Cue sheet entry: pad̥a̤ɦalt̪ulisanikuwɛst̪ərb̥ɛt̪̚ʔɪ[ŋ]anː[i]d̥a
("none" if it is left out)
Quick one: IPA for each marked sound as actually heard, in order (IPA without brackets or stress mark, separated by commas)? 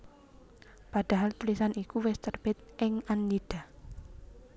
ŋ, i